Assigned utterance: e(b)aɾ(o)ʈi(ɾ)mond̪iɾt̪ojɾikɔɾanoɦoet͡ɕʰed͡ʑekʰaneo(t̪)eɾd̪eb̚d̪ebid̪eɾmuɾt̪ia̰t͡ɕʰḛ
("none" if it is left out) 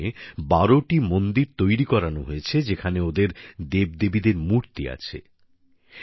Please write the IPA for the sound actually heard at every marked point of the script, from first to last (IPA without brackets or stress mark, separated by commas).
b, o, none, d̪